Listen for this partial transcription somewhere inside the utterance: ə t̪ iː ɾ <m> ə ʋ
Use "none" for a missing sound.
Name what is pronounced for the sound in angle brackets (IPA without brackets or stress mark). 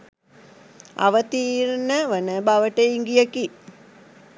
n